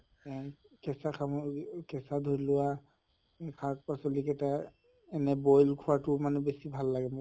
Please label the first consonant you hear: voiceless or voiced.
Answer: voiceless